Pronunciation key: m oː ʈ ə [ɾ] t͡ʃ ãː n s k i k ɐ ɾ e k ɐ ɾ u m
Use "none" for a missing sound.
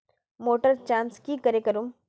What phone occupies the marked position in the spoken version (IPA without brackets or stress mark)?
ɾ